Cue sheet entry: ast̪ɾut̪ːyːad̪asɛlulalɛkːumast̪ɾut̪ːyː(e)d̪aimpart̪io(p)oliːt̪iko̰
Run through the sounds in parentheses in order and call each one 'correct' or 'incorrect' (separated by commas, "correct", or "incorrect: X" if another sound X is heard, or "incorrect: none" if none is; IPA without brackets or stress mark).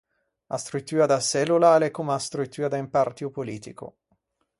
incorrect: a, correct